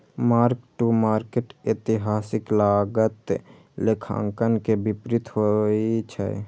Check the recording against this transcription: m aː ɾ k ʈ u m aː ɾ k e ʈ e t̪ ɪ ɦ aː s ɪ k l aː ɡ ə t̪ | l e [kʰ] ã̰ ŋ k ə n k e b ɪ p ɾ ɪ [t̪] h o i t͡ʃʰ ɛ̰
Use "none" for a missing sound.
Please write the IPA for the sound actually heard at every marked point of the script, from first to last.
kʰ, t̪

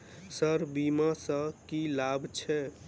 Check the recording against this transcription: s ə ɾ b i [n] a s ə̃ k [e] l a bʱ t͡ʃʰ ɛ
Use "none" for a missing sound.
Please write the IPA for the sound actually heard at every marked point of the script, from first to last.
m, i

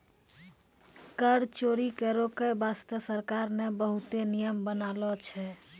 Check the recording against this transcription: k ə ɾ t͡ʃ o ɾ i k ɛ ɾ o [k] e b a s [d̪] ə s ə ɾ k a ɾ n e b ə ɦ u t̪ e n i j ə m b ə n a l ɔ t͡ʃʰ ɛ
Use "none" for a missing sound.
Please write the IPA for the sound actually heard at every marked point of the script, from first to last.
k, t̪

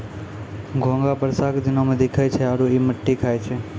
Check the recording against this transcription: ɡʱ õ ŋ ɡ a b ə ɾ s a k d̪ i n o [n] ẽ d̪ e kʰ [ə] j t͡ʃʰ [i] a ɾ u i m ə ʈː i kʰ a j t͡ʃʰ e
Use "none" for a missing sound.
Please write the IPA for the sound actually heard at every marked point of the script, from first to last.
m, a, e

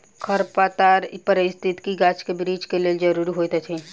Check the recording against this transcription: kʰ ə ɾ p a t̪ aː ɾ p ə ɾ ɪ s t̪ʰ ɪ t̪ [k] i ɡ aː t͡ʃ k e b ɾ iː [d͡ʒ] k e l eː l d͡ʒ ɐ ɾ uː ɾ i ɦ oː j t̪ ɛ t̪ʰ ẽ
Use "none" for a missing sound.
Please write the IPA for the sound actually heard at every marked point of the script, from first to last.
k, d͡ʒ

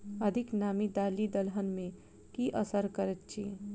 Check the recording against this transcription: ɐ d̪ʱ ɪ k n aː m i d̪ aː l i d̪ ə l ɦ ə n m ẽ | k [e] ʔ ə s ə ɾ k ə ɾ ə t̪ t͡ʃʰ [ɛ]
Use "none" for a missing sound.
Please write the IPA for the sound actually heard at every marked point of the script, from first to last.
i, i

